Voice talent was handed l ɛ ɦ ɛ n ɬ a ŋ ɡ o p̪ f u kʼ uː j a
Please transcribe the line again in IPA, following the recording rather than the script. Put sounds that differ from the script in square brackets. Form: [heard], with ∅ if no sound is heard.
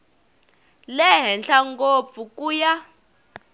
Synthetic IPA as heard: l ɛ ɦ ɛ n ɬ a ŋ ɡ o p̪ f u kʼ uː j a